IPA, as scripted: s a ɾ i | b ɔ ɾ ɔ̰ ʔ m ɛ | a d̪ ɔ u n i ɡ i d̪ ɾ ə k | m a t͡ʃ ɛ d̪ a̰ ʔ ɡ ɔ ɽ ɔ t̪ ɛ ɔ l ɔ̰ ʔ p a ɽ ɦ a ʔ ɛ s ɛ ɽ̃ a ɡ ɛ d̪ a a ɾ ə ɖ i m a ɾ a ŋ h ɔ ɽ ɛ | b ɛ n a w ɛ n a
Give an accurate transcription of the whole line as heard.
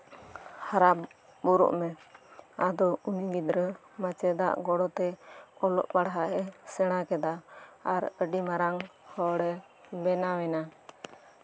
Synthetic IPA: h a ɾ a | b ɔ ɾ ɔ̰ ʔ m ɛ | a d̪ ɔ u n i ɡ i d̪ ɾ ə | m a t͡ʃ ɛ d̪ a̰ ʔ ɡ ɔ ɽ ɔ t̪ ɛ ɔ l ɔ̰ ʔ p a ɽ ɦ a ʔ ɛ s ɛ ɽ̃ a k ɛ d̪ a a ɾ ə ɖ i m a ɾ a ŋ h ɔ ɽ ɛ | b ɛ n a w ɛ n a